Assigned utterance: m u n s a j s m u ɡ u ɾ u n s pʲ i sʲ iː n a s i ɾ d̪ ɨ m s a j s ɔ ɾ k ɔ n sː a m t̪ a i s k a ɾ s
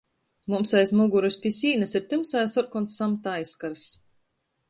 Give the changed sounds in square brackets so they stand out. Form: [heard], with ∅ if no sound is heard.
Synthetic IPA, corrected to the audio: m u [m] s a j s m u ɡ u ɾ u [∅] s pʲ i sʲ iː n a s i ɾ [t̪] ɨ m s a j s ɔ ɾ k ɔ n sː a m t̪ a [j] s k a ɾ s